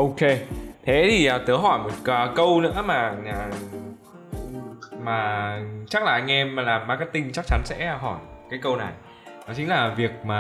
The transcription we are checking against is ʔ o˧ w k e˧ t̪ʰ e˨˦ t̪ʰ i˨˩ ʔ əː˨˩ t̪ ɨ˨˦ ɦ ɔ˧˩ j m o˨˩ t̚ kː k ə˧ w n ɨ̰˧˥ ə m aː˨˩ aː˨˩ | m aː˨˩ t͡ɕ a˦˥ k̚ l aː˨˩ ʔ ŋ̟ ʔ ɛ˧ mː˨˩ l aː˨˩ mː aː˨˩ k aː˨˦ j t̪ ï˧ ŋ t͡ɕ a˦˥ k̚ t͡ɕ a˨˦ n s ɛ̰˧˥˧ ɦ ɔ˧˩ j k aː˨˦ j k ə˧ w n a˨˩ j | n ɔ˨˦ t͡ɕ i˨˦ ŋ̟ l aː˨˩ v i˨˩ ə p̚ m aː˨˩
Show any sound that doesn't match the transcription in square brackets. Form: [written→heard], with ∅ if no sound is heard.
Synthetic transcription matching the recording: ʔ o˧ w k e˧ t̪ʰ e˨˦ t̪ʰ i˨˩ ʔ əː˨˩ t̪ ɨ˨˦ ɦ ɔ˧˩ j m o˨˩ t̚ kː k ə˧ w n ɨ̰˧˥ ə m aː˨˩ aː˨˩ | m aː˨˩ t͡ɕ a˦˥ k̚ l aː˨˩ ʔ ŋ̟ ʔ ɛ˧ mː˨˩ l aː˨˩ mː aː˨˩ k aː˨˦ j t̪ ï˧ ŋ t͡ɕ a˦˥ k̚ t͡ɕ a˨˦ n s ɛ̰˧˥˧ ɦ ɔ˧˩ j k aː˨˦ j k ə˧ w n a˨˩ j | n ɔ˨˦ t͡ɕ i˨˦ ŋ̟ l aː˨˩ v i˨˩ ə [p̚→k̚] m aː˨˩